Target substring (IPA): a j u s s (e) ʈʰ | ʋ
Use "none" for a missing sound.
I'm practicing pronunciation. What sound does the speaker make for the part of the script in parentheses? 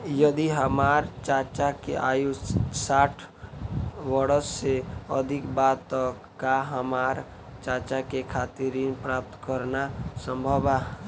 a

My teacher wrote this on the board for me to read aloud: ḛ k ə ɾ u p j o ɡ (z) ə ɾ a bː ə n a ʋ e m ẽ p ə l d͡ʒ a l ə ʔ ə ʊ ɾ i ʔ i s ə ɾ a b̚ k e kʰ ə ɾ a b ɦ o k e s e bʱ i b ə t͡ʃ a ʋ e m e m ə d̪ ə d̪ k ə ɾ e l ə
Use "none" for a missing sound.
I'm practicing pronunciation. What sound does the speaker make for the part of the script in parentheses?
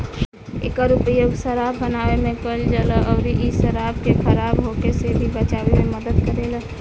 s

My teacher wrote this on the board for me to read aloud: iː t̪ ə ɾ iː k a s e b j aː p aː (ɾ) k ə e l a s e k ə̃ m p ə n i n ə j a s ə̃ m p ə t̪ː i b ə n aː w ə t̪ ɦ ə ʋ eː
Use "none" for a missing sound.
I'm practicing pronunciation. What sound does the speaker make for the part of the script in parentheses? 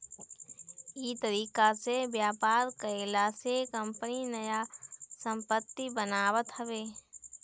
ɾ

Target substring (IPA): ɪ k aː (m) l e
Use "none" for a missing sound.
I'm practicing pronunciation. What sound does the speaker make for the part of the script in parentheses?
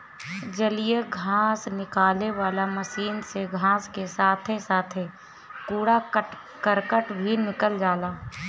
none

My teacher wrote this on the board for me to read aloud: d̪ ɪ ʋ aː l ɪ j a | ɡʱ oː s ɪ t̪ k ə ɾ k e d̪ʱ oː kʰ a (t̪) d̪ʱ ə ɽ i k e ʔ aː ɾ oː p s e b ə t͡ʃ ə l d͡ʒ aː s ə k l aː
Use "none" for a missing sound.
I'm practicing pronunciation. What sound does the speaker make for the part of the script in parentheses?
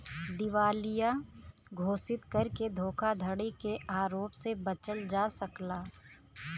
none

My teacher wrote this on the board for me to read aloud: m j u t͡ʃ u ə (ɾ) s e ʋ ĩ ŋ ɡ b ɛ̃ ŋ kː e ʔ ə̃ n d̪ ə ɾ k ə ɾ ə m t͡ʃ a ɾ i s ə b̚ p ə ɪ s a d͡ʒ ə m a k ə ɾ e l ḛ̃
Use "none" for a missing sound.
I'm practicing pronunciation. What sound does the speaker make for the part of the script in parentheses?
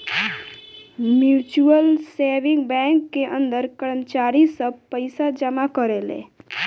l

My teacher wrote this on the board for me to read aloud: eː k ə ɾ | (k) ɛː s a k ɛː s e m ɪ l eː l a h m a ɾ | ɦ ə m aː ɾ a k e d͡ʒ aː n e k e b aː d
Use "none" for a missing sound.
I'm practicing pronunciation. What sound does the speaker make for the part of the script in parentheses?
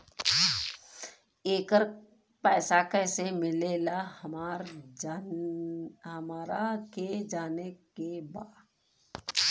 p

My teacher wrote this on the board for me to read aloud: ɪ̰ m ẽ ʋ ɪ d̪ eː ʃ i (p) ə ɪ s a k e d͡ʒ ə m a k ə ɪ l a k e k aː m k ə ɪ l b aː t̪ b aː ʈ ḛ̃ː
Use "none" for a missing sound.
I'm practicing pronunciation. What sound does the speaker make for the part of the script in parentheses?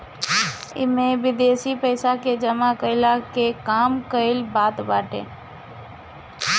p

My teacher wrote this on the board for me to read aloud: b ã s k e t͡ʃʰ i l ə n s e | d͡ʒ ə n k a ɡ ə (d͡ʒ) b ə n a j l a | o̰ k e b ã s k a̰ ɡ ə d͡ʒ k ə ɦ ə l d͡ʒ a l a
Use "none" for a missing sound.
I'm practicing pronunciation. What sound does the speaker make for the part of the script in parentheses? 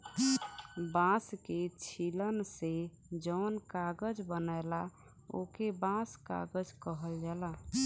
d͡ʒ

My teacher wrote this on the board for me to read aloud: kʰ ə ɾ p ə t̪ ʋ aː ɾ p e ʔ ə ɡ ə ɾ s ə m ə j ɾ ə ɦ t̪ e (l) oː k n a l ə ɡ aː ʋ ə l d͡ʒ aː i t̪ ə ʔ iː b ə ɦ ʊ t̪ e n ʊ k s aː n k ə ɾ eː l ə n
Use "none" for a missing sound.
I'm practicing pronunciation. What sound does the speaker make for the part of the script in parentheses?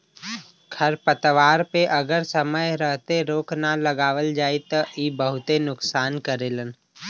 ɾ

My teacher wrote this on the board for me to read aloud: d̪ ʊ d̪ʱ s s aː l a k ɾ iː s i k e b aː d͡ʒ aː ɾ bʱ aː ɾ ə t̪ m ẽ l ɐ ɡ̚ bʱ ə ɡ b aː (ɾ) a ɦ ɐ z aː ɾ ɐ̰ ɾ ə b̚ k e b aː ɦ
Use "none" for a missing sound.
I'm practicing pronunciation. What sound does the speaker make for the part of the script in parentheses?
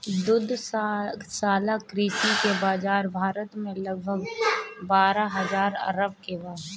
ɾ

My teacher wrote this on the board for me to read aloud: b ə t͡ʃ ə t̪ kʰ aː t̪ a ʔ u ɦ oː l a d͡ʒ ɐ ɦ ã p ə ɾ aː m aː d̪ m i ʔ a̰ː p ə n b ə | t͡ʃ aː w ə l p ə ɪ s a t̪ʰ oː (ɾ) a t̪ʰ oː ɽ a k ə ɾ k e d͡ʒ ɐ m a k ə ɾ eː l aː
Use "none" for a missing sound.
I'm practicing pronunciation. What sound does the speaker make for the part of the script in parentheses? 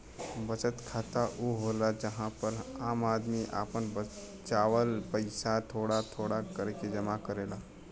ɽ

